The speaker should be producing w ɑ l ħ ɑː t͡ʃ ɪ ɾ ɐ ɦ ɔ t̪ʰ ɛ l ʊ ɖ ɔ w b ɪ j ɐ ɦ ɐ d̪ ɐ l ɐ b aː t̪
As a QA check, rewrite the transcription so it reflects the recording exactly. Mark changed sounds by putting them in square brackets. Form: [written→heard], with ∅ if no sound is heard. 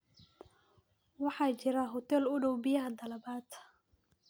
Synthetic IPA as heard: w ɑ [l→∅] ħ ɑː t͡ʃ ɪ ɾ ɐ ɦ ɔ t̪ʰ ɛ l ʊ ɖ ɔ w b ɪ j ɐ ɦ ɐ d̪ ɐ l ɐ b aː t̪